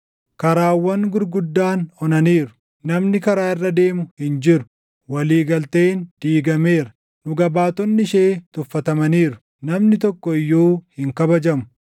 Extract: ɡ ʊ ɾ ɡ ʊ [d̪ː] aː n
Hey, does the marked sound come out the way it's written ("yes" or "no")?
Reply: yes